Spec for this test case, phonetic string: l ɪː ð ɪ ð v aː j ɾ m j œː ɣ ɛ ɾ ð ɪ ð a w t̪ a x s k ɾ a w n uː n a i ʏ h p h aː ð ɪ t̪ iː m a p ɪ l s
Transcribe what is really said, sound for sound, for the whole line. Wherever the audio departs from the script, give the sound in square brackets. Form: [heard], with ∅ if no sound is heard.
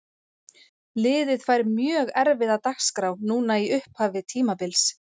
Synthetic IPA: l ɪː ð ɪ ð [f] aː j ɾ m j œː ɣ ɛ ɾ [v] ɪ ð a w t̪ a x s k ɾ a w n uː n a i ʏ h p h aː [v] ɪ [t̪ʰ] iː m a p ɪ l s